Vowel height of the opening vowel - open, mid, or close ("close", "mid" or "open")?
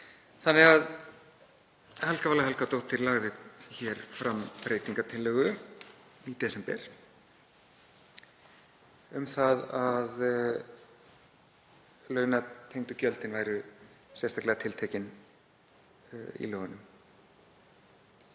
open